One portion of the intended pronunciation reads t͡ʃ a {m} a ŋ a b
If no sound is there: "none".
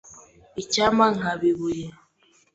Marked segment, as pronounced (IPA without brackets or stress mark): m